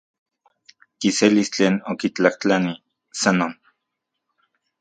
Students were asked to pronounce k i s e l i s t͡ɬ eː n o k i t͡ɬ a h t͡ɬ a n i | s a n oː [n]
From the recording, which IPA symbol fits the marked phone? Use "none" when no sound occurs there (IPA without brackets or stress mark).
n